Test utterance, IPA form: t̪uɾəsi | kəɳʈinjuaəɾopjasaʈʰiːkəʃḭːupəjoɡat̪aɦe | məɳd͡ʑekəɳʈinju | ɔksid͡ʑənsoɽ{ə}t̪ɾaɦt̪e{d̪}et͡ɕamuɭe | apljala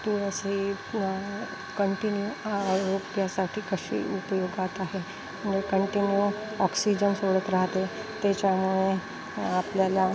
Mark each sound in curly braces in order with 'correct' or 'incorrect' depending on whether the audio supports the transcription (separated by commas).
correct, incorrect